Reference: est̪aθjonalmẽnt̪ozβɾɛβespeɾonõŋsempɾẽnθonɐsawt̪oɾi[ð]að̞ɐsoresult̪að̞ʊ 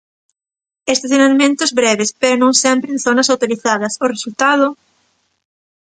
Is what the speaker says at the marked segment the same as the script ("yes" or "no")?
no